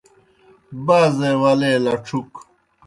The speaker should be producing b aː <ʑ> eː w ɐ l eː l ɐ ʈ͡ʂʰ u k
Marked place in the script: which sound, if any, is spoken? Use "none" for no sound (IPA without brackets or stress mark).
z